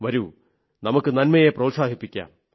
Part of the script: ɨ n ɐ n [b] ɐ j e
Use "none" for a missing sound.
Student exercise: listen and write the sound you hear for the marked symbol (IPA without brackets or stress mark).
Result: m